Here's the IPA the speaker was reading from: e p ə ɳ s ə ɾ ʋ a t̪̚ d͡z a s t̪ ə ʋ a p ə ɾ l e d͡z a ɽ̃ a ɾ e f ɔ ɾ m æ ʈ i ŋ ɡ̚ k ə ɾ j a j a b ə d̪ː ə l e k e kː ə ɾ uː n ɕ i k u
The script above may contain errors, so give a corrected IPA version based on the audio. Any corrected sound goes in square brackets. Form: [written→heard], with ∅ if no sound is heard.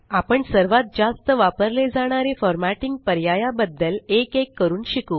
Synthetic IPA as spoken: [e→a] p ə ɳ s ə ɾ ʋ a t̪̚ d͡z a s t̪ ə ʋ a p ə ɾ l e d͡z a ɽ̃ a ɾ e f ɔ ɾ m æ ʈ i ŋ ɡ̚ [k→p] ə ɾ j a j a b ə d̪ː ə l e k e kː ə ɾ uː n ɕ i k u

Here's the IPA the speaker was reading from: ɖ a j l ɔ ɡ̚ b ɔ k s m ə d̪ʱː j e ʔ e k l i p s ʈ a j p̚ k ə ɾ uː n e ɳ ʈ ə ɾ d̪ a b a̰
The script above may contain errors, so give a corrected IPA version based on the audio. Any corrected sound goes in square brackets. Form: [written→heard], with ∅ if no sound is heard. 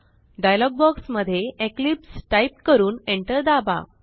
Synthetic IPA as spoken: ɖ a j l ɔ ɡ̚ b ɔ k s m ə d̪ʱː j e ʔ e k l i p s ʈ a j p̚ k ə ɾ uː n e ɳ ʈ ə ɾ d̪ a b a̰

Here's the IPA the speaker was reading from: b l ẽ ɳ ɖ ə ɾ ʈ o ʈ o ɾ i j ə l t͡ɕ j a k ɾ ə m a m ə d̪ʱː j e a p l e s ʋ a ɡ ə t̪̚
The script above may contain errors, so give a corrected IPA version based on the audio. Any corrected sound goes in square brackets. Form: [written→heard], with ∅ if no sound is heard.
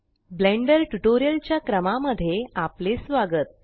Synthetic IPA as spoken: b l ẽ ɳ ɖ ə ɾ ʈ [o→u] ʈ o ɾ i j ə l t͡ɕ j a k ɾ ə m a m ə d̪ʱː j e a p l e s ʋ a ɡ ə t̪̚

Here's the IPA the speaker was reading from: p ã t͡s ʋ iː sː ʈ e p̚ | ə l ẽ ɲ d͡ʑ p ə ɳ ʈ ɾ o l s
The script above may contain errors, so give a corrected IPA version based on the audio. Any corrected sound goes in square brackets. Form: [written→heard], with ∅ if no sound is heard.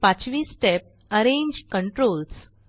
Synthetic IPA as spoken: p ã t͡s ʋ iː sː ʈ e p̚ | ə [l→ɾ] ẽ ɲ d͡ʑ [p→k] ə ɳ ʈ ɾ o l s

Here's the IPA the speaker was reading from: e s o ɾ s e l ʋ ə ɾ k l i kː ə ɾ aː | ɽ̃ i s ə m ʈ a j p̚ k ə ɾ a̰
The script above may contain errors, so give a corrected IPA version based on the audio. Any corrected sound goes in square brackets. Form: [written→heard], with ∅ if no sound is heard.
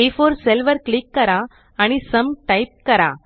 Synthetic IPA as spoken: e [s→f] o ɾ s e l ʋ ə ɾ k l i kː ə ɾ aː | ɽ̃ i s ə m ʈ a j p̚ k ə ɾ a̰

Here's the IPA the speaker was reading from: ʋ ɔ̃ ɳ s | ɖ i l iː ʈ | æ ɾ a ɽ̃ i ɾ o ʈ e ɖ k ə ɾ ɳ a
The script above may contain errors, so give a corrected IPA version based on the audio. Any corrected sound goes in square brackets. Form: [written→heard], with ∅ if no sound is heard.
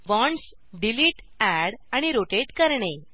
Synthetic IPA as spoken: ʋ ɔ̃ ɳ s | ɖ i l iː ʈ | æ [ɾ→ɽ] a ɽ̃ i ɾ o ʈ e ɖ k ə ɾ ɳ [a→e]

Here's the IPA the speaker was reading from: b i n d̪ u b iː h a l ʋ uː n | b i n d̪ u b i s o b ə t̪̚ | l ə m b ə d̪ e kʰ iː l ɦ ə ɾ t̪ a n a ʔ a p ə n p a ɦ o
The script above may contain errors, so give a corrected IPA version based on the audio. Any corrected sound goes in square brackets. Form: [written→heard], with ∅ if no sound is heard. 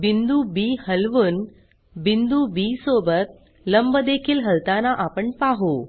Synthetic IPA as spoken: b i n d̪ u b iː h [a→ə] l ʋ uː n | b i n d̪ u b i s o b ə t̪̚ | l ə m b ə d̪ e kʰ iː l ɦ ə [ɾ→l] t̪ a n a ʔ a p ə [n→ɳ] p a ɦ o

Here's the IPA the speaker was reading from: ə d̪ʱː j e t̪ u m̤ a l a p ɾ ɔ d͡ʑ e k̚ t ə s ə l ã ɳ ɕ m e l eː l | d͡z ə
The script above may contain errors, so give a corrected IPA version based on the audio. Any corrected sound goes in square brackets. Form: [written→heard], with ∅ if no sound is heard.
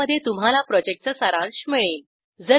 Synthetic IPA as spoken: ə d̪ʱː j e t̪ u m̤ a l a p ɾ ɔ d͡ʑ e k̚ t ə s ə [l→ɾ] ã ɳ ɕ m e [l→ɭ] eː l | d͡z ə

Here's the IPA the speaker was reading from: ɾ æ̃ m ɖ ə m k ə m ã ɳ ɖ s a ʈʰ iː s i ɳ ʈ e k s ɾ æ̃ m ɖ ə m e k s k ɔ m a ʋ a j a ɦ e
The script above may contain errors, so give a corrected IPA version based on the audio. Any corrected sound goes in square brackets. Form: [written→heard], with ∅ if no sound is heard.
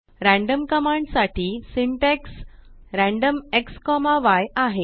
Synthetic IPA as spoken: ɾ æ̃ [m→ɳ] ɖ ə m k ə m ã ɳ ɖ s a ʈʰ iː s i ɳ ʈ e k s ɾ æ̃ [m→ɳ] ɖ ə m e k s k ɔ m a ʋ a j a ɦ e

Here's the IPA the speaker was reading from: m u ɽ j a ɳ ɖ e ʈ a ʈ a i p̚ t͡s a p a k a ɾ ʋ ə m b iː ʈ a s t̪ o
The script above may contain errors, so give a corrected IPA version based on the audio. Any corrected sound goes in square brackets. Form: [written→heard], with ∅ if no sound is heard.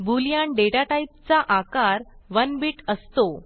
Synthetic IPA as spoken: [m→b] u [ɽ→l] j a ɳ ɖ e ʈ a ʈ a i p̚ t͡s a [p→ʔ] a k a ɾ ʋ ə [m→n] b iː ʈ [a→ə] s t̪ o

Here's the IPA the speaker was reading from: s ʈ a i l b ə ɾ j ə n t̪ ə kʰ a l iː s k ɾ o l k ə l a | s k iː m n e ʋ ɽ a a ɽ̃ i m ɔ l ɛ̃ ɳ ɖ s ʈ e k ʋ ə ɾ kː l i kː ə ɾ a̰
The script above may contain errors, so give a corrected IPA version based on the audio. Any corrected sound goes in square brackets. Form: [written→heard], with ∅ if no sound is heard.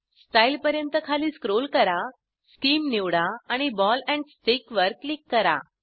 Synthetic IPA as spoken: s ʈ a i l [b→p] ə ɾ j ə n t̪ ə kʰ a l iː s k ɾ o l k ə [l→ɾ] a | s k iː m n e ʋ ɽ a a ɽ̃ i [m→b] ɔ l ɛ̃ ɳ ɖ s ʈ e k ʋ ə ɾ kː l i kː ə ɾ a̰

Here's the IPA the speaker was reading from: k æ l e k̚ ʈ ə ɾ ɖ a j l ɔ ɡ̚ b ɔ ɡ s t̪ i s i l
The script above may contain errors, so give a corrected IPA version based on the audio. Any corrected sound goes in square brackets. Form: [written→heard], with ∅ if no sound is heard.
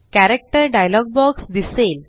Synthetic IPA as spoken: k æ [l→ɾ] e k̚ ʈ ə ɾ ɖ a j l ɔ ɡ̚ b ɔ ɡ s [t̪→d̪] i s [i→e] l

